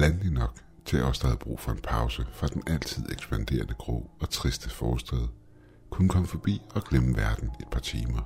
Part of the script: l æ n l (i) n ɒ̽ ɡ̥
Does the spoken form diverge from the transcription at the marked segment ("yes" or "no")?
no